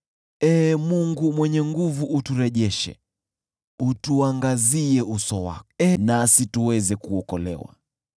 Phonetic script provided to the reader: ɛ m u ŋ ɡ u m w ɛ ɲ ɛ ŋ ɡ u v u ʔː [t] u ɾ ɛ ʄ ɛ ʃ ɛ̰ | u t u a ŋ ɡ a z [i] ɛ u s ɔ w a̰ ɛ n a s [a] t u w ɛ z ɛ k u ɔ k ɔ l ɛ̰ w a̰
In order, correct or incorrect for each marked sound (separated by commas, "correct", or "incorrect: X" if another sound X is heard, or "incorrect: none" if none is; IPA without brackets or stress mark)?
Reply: correct, correct, incorrect: i